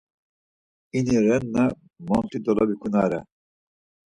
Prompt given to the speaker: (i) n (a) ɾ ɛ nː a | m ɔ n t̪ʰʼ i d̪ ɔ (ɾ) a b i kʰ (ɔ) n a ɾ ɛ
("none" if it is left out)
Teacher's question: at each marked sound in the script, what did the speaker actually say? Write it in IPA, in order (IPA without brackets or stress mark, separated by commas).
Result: i, i, l, u